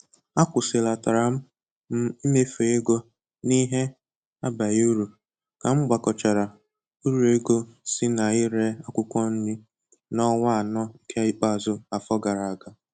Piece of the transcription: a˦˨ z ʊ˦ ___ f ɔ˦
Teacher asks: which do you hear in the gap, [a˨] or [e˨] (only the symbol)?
a˨